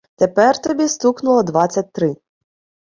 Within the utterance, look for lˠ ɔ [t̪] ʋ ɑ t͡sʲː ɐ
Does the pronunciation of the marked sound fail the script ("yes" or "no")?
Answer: yes